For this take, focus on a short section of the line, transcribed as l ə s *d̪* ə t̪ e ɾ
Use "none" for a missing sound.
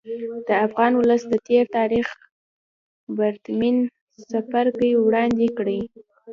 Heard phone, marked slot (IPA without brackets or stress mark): d̪